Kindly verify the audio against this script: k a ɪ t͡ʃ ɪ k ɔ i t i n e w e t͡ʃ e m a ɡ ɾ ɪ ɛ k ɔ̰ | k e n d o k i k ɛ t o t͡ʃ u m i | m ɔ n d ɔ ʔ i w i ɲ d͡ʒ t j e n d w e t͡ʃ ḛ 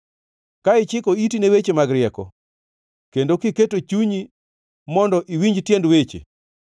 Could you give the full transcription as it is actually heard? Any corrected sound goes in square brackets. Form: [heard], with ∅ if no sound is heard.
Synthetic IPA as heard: k a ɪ t͡ʃ ɪ k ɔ i t i n e w e t͡ʃ e m a ɡ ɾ ɪ ɛ k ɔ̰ | k e n d o k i k [e] t o t͡ʃ u [ɲ] i | m ɔ n d ɔ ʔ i w i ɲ d͡ʒ t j e n d w e t͡ʃ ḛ

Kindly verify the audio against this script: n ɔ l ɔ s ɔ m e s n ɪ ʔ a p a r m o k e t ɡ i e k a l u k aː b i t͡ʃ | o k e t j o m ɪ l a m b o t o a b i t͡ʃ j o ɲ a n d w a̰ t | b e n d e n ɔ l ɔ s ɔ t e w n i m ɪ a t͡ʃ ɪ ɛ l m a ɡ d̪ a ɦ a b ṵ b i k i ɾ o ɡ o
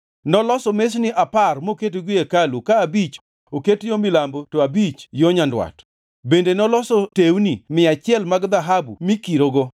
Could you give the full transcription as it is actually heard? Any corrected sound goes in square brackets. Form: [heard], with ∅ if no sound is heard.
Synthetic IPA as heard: n ɔ l ɔ s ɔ m e s n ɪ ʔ a p a r m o k e t ɡ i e k a l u k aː b i t͡ʃ | o k e t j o m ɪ l a m b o t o a b i t͡ʃ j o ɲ a n d w a̰ t | b e n d e n ɔ l ɔ s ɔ t e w n i m ɪ a t͡ʃ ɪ ɛ l m a ɡ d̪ a ɦ a b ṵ [m] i k i ɾ o ɡ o

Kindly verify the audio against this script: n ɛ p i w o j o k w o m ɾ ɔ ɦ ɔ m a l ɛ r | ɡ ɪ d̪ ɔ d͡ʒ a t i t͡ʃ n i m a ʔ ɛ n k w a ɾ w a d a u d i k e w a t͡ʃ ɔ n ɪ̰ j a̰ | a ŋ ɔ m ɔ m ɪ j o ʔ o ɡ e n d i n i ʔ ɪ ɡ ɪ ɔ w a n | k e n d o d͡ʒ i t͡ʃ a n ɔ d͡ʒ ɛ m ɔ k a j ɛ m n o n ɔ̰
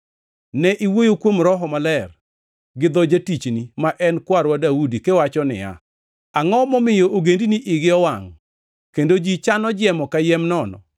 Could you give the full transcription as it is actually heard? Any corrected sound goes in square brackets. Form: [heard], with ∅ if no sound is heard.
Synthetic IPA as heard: n ɛ [ʔ] i w o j o k w o m ɾ ɔ ɦ ɔ m a l ɛ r | ɡ ɪ d̪ ɔ d͡ʒ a t i t͡ʃ n i m a ʔ ɛ n k w a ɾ w a d a u d i k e w a t͡ʃ ɔ n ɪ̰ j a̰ | a ŋ ɔ m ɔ m ɪ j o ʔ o ɡ e n d i n i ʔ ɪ ɡ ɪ ɔ w a [ŋ] | k e n d o d͡ʒ i t͡ʃ a n ɔ d͡ʒ ɛ m ɔ k a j ɛ m n [ɔ] n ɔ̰

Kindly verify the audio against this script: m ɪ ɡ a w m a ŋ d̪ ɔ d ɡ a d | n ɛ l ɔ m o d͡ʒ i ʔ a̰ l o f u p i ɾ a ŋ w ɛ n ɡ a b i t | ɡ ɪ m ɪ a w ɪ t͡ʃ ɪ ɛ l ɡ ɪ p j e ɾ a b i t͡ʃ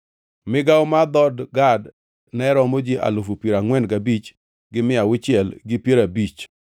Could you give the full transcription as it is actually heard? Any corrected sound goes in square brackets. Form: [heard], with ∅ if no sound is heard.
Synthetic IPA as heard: m ɪ ɡ a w m a [∅] d̪ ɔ d ɡ a d | n ɛ [ɾ] ɔ m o d͡ʒ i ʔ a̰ l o f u p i ɾ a ŋ w ɛ n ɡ a b i [t͡ʃ] | ɡ ɪ m ɪ a w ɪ t͡ʃ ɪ ɛ l ɡ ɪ p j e ɾ a b i t͡ʃ

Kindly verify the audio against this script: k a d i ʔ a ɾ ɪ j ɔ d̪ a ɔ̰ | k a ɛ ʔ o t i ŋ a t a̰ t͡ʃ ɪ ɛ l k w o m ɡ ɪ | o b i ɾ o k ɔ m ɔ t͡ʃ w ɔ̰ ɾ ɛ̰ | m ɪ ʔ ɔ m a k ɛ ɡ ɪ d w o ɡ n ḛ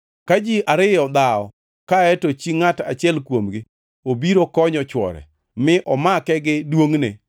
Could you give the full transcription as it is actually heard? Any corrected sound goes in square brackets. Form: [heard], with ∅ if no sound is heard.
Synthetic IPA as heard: k a [d͡ʒ] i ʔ a ɾ ɪ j ɔ d̪ a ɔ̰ | k a ɛ [t] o [t͡ʃ] i ŋ a t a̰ t͡ʃ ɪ ɛ l k w o m ɡ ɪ | o b i ɾ o k ɔ [ɲ] ɔ t͡ʃ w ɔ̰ ɾ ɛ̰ | m ɪ ʔ ɔ m a k ɛ ɡ ɪ d w o [ŋ] n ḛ

